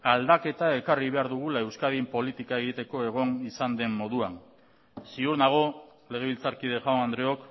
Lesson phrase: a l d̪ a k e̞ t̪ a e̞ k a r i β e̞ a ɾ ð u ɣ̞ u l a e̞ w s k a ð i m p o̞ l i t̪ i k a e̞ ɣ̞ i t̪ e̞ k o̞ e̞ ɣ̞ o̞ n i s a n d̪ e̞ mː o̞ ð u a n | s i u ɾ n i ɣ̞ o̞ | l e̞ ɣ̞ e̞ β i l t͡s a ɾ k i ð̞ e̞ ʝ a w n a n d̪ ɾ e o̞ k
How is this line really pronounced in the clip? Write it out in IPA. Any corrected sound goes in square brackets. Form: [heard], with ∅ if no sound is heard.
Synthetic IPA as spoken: a l d̪ a k e̞ t̪ a e̞ k a r i β e̞ a ɾ ð u ɣ̞ u l a e̞ w s k a ð i m p o̞ l i t̪ i k a e̞ ɣ̞ i t̪ e̞ k o̞ e̞ ɣ̞ o̞ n i s a n d̪ e̞ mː o̞ ð u a n | s i u ɾ n [a] ɣ̞ o̞ | l e̞ ɣ̞ e̞ β i l t͡s a ɾ k i ð̞ e̞ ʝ a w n a n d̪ ɾ e o̞ k